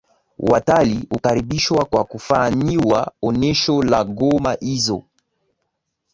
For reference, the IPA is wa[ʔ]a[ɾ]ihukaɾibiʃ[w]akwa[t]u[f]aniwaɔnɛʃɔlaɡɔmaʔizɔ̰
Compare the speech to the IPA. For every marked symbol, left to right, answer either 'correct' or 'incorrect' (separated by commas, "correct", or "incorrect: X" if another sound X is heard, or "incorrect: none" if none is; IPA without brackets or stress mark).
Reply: incorrect: t, incorrect: l, correct, incorrect: k, correct